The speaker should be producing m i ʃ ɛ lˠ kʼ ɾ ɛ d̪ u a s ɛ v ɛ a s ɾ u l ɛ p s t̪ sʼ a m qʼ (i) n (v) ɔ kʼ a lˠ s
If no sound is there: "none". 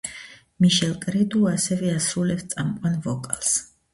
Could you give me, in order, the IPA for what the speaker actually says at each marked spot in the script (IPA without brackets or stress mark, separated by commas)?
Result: a, v